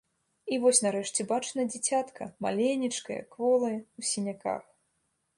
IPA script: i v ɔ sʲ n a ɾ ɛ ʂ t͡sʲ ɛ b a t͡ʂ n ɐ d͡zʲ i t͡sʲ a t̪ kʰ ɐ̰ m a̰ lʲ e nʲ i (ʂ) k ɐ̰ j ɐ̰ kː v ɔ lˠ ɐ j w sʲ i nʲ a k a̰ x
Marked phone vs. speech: incorrect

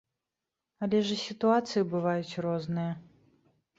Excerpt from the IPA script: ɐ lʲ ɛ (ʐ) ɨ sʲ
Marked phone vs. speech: correct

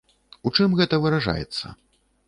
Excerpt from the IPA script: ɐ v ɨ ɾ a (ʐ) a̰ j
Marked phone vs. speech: correct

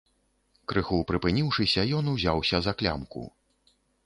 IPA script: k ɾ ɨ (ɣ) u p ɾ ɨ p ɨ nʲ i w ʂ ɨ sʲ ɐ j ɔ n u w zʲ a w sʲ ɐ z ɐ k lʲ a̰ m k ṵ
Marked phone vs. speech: incorrect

